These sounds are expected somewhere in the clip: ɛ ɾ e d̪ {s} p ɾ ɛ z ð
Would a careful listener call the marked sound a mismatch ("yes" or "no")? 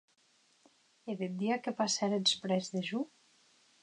no